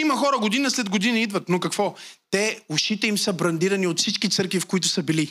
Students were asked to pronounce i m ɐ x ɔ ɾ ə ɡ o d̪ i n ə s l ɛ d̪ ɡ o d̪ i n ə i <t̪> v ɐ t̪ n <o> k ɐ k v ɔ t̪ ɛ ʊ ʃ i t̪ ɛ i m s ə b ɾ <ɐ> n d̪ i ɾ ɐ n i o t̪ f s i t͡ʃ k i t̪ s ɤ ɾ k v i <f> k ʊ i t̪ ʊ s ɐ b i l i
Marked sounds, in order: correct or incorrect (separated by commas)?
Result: incorrect, correct, correct, correct